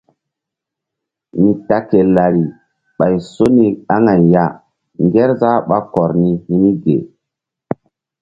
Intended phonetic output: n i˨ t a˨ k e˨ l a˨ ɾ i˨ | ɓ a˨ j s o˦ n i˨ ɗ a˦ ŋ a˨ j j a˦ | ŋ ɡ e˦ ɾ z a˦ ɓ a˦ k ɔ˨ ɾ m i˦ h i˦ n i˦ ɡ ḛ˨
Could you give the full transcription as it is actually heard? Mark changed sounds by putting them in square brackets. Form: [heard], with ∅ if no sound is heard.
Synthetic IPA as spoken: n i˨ t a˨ k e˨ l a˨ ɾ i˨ | ɓ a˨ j s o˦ n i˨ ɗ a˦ ŋ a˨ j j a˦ | ŋ ɡ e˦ ɾ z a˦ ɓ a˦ k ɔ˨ ɾ [n] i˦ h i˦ n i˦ ɡ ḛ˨